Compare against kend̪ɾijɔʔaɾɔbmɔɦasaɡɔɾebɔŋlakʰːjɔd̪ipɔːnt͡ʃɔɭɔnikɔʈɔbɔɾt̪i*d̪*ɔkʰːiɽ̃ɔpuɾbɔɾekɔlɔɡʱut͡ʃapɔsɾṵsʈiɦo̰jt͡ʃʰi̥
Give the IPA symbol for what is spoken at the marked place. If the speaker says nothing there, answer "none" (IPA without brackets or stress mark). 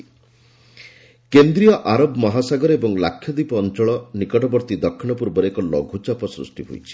d̪